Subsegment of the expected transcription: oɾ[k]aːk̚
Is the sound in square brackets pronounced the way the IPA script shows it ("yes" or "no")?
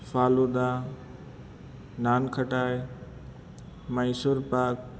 no